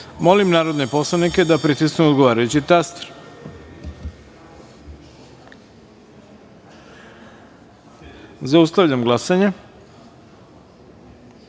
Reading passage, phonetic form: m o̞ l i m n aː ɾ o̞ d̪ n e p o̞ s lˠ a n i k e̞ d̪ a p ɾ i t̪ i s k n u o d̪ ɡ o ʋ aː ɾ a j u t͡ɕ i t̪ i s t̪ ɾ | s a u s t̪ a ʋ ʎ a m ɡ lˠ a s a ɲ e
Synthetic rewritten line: m o̞ l i m n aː ɾ o̞ d̪ n e p o̞ s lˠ a n i k e̞ d̪ a p ɾ i t̪ i s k n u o d̪ ɡ o ʋ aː ɾ a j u t͡ɕ i t̪ a s t̪ ɾ | z a u s t̪ a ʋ ʎ a m ɡ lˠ a s a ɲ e